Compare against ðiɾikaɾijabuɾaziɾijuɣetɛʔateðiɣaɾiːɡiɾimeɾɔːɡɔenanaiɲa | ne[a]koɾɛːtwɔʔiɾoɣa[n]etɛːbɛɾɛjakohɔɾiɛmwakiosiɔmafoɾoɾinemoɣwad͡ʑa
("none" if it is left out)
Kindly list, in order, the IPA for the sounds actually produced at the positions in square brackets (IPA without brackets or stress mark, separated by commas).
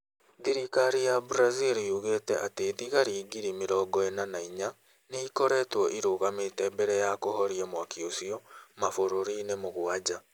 i, m